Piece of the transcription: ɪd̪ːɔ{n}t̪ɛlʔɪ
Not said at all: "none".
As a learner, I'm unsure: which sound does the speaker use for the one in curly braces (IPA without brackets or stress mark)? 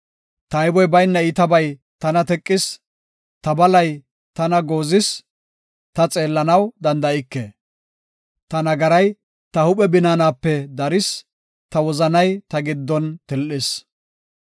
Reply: n